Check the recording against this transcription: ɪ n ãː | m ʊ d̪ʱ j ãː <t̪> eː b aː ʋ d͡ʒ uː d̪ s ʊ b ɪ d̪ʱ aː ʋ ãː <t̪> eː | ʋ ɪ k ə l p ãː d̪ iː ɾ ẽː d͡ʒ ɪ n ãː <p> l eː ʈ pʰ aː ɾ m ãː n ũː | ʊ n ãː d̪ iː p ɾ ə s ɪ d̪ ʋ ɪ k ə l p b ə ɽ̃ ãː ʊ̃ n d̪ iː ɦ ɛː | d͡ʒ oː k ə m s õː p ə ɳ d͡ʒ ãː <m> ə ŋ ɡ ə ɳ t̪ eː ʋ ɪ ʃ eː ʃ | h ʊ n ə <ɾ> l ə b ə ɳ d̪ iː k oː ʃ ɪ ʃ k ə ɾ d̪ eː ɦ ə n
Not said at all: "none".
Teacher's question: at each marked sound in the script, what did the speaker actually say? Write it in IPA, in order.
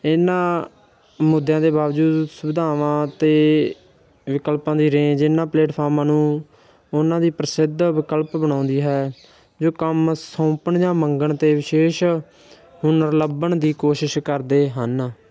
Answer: d̪, t̪, p, m, ɾ

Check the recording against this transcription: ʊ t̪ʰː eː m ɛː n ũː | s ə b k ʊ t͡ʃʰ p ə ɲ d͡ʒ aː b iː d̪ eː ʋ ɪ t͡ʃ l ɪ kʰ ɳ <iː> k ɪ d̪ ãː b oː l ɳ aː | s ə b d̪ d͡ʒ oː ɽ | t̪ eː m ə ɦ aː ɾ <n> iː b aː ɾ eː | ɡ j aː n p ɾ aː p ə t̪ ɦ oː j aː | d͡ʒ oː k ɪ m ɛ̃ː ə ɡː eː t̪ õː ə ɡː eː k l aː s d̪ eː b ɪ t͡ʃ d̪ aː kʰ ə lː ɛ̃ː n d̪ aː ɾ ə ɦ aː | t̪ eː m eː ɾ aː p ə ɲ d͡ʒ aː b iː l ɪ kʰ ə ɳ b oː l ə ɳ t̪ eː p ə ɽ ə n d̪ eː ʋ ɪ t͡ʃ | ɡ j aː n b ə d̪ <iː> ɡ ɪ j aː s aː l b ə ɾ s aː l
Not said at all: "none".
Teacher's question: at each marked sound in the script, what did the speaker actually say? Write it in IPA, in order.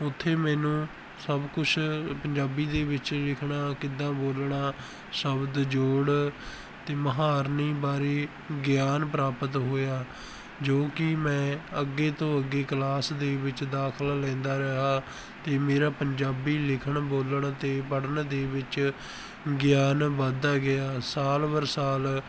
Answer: aː, n, aː

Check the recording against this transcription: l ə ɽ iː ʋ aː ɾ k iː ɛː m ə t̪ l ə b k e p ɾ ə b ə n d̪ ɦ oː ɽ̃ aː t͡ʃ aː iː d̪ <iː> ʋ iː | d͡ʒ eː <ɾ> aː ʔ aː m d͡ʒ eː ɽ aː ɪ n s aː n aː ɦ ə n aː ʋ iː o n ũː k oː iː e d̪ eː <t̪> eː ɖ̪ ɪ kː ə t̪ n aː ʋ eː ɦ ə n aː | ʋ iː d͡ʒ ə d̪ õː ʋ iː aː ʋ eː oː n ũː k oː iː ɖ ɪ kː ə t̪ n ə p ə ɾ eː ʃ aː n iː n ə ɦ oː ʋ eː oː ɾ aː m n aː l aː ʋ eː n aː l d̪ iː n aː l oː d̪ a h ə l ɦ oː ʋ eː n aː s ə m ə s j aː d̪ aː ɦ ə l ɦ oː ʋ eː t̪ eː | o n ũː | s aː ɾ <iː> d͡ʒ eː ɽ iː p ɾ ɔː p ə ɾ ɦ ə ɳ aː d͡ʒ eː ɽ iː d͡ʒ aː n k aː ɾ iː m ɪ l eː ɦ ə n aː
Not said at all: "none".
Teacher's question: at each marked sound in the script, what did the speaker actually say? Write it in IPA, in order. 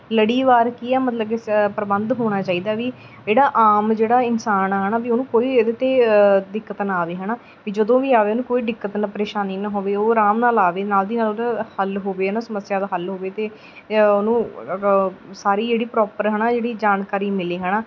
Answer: aː, ɽ, t̪, iː

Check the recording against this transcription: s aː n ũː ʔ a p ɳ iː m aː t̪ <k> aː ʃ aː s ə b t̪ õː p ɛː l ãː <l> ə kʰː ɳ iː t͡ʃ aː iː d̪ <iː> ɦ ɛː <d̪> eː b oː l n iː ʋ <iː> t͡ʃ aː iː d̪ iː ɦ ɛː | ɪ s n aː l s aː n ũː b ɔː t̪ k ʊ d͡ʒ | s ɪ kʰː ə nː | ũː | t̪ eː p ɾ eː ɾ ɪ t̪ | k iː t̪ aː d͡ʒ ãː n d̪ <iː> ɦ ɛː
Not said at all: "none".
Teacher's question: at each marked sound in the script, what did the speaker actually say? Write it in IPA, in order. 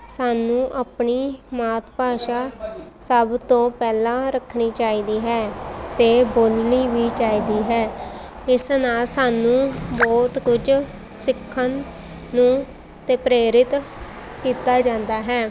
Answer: p, ɾ, iː, t̪, iː, aː

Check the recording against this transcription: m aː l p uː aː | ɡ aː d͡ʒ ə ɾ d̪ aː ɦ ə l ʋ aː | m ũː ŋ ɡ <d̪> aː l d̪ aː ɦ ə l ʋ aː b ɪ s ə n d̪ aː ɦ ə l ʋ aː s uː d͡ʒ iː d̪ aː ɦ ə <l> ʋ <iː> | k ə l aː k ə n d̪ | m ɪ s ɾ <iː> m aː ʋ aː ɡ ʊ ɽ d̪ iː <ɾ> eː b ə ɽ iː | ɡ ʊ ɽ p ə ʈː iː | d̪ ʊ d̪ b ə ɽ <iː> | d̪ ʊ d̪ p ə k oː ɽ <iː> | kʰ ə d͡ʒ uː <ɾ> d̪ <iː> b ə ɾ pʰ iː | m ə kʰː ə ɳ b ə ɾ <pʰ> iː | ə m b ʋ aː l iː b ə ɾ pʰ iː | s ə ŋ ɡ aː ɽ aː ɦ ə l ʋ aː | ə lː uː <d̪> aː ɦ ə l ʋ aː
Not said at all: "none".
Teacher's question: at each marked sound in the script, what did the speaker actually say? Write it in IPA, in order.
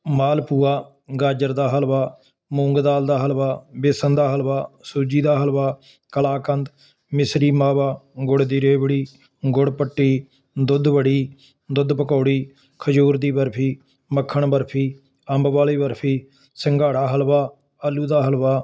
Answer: d̪, l, aː, iː, ɾ, iː, iː, ɾ, iː, pʰ, d̪

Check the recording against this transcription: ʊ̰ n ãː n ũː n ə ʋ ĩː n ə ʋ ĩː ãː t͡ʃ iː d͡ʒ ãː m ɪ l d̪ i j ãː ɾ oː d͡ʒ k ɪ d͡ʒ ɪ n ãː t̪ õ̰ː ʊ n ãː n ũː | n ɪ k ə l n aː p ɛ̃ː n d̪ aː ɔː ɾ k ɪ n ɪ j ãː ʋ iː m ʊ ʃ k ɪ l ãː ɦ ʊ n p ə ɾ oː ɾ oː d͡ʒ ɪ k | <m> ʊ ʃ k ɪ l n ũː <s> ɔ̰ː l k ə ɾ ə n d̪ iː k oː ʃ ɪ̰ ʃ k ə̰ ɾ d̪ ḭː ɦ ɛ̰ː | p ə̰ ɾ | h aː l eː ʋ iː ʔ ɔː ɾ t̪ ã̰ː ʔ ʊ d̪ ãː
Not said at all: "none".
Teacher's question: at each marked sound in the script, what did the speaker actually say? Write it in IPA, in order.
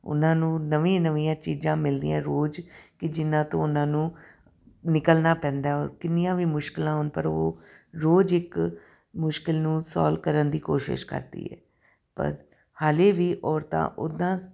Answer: m, s

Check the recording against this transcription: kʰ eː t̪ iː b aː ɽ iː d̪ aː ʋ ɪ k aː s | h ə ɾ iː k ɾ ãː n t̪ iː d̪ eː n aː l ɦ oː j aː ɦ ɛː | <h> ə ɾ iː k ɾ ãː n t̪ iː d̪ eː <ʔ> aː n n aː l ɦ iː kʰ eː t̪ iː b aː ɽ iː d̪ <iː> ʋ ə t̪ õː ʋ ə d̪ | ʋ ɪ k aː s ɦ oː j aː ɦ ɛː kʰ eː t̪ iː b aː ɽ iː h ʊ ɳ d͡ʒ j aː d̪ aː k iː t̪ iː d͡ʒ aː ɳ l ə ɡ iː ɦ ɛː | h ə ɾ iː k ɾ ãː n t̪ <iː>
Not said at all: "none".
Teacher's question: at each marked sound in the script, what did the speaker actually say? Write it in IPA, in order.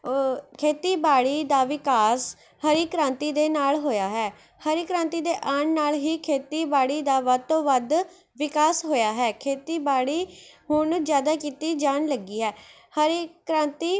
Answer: h, ʔ, aː, iː

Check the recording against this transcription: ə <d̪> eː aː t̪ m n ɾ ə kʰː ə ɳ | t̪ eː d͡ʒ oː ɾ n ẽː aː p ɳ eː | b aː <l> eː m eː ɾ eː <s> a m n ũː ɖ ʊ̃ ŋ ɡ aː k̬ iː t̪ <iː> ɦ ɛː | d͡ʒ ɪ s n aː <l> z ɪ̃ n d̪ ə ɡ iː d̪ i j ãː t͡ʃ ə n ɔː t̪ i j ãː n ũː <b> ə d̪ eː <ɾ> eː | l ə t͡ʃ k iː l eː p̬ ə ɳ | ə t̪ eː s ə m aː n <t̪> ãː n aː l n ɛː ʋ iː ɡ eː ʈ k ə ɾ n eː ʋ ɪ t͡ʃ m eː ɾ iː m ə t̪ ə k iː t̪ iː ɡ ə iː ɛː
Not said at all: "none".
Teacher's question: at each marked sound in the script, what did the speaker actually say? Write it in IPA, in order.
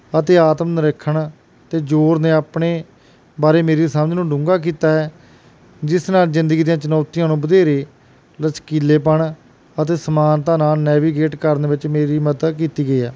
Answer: t̪, ɾ, s, aː, l, b, ɾ, t̪

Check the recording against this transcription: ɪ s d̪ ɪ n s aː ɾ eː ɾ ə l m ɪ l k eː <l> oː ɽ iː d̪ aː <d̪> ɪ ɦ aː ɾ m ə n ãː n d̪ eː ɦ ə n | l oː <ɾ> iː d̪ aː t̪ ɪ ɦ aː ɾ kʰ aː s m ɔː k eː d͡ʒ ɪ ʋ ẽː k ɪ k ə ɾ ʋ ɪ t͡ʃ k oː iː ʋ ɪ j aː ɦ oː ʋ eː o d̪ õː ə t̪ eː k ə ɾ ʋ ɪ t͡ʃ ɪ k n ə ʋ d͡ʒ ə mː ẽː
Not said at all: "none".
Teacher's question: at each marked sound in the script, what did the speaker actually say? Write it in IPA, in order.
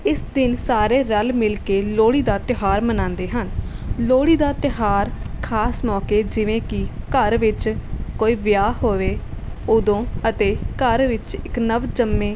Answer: l, t̪, ɽ

